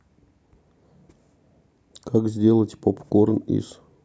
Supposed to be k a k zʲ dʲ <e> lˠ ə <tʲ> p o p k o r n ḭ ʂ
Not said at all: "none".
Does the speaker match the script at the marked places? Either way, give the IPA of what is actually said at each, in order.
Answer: e, tʲ

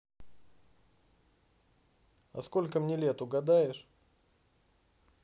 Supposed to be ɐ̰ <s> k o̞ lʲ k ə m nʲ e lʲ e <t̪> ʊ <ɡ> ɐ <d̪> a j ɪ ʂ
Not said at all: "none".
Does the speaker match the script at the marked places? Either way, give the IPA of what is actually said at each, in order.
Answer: s, t̪, ɡ, d̪

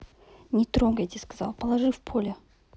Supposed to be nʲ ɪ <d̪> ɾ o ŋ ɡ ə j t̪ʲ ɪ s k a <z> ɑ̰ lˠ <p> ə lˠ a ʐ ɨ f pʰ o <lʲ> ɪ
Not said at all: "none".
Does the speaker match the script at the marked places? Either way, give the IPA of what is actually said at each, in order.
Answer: t̪, z, p, lʲ

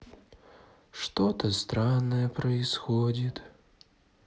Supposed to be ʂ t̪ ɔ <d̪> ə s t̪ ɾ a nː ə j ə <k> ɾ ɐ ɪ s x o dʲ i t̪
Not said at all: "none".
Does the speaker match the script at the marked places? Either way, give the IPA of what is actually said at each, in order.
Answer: t̪, p

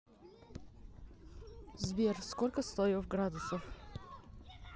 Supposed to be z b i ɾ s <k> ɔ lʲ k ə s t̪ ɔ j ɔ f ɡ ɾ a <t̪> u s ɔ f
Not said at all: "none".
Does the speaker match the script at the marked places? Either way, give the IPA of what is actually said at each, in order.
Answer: k, d̪

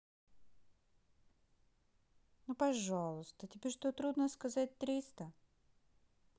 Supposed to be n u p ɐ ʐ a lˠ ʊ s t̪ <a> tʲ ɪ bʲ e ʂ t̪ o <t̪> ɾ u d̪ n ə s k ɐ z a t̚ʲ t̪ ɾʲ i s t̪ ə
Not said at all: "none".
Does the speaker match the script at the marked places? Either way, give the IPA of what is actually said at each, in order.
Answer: ə, t̪

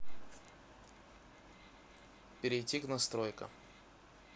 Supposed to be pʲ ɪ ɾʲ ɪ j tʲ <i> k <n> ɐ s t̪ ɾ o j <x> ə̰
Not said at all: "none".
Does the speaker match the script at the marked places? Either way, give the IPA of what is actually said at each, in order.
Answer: i, n, k

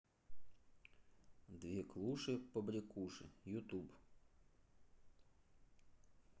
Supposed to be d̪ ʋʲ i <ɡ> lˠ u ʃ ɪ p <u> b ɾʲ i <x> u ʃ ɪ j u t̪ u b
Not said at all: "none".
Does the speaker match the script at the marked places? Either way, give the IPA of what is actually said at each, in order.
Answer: k, ɔ, k

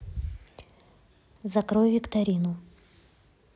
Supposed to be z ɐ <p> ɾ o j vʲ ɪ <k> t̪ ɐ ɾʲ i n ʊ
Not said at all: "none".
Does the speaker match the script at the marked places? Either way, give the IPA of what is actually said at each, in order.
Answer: k, k

